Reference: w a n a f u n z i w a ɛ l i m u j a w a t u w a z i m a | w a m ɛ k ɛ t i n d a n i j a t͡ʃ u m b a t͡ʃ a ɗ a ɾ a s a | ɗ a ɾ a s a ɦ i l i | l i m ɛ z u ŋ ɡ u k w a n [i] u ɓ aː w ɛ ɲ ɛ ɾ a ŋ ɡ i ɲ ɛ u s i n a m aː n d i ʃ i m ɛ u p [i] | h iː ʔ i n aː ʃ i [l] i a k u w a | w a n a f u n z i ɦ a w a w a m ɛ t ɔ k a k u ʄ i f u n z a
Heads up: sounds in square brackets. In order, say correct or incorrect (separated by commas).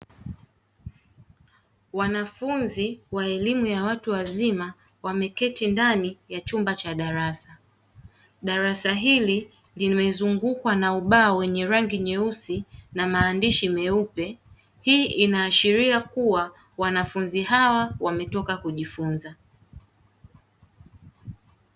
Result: incorrect, incorrect, incorrect